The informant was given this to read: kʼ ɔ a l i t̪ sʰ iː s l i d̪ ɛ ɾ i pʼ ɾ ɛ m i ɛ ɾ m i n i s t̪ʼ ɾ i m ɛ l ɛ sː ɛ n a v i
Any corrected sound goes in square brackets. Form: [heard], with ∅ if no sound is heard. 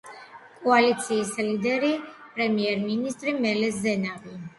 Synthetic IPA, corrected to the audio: kʼ ɔ a l i t̪ sʰ iː s l i d̪ ɛ ɾ i pʼ ɾ ɛ m i ɛ ɾ m i n i s t̪ʼ ɾ i m ɛ l ɛ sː ɛ n a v i